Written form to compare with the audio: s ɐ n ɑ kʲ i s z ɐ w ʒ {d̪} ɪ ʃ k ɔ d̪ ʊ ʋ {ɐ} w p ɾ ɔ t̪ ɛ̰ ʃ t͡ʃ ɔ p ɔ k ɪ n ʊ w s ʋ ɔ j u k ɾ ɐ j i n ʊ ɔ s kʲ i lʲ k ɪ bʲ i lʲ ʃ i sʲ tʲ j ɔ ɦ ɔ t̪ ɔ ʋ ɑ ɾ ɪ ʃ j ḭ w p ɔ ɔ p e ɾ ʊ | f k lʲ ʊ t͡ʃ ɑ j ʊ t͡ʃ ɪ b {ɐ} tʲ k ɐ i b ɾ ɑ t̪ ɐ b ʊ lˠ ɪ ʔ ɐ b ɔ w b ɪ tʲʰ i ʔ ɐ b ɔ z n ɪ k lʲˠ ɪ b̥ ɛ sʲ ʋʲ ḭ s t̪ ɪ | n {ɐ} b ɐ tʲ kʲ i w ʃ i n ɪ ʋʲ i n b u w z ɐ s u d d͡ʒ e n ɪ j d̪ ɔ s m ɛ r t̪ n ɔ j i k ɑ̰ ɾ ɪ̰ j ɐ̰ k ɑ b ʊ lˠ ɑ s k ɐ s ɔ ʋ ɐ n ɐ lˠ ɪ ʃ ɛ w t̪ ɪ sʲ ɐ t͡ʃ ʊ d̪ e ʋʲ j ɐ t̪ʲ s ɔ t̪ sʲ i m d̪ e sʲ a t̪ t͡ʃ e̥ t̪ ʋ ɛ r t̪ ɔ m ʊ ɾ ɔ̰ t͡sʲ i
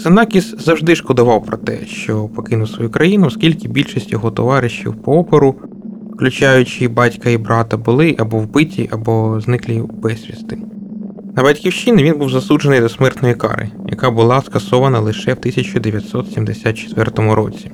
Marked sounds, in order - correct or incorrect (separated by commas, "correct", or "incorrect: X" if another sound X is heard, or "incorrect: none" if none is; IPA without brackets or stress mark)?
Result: correct, incorrect: ɑ, incorrect: ɑ, correct